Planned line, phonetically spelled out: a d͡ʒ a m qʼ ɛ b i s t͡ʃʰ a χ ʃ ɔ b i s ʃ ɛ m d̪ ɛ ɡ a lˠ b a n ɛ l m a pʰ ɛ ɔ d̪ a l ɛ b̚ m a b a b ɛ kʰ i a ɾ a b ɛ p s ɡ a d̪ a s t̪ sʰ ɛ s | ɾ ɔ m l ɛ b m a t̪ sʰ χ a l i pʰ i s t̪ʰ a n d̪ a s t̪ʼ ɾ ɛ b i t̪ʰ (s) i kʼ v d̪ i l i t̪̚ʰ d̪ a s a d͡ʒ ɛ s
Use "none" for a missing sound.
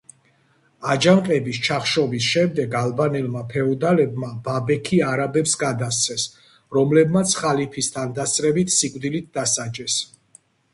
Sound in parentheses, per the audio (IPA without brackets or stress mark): s